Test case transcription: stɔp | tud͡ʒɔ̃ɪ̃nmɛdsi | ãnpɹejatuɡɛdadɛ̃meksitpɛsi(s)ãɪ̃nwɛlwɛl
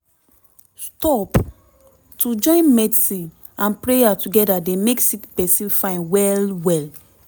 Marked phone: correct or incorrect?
incorrect